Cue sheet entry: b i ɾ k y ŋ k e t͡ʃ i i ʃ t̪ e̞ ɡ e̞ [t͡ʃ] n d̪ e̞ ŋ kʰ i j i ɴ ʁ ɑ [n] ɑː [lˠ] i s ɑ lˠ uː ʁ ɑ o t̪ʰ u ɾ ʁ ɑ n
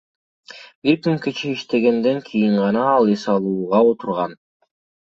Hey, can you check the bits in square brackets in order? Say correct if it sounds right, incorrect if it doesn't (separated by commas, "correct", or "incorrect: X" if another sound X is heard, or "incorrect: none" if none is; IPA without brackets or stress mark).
incorrect: none, correct, correct